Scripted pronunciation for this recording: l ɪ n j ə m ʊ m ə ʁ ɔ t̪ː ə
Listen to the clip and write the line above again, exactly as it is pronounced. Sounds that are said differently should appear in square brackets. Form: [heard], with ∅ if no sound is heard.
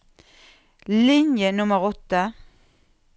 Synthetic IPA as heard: l ɪ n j ə [n] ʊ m ə ʁ ɔ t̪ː ə